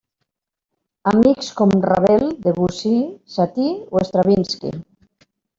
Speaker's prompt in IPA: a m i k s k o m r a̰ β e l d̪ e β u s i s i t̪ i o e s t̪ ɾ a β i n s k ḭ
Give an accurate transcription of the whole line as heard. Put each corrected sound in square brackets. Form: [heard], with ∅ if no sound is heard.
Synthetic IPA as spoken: a m i k s k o m r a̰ β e l d̪ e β u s i s [a] t̪ i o e s t̪ ɾ a β i n s k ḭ